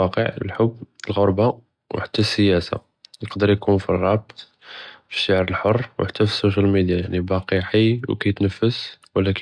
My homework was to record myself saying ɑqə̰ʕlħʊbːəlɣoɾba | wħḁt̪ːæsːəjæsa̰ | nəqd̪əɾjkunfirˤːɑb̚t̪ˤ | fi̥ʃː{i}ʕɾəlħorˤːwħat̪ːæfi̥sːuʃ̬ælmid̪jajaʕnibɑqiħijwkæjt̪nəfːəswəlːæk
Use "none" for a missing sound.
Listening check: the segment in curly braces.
a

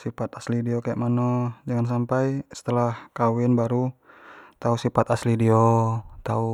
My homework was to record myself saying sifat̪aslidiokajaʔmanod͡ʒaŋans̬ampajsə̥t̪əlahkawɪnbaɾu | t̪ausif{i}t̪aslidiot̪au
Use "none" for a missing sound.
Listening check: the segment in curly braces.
a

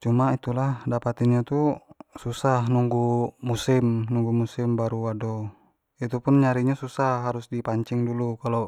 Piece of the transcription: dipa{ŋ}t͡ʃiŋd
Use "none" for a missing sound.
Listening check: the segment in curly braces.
ɲ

